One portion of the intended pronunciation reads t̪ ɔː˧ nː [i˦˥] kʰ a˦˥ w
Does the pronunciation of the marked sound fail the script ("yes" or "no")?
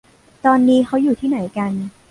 yes